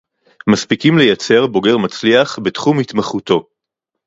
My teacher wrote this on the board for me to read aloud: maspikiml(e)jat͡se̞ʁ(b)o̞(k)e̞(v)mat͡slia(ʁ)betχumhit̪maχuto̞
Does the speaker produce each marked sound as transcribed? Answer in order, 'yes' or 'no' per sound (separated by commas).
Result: yes, yes, no, no, no